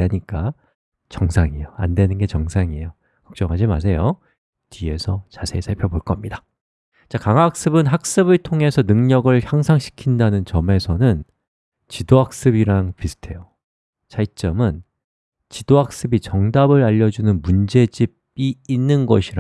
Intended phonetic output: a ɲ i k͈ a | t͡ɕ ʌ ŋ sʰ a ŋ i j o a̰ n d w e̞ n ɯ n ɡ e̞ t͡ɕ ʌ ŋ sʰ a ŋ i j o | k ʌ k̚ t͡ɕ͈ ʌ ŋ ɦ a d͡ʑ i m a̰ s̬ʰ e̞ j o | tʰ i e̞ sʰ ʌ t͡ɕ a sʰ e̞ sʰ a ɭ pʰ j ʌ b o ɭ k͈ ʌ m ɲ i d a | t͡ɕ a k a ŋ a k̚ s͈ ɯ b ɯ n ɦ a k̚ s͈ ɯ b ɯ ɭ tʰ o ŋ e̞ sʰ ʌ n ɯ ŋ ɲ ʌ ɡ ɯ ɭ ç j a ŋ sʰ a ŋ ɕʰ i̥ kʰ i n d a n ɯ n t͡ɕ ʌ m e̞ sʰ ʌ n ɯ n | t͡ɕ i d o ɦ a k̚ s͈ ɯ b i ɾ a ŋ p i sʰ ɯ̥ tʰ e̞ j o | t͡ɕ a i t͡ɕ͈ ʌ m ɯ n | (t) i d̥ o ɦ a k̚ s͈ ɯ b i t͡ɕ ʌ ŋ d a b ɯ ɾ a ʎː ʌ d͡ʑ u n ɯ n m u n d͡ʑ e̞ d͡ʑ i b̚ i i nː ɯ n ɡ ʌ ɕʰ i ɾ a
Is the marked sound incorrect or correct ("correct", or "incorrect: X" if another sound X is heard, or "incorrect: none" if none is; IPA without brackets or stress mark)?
incorrect: t͡ɕ